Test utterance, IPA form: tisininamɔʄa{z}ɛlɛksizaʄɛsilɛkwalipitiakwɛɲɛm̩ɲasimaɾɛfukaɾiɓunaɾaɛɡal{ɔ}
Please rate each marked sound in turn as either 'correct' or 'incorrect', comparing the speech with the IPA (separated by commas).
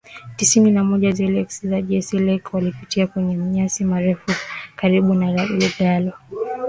correct, correct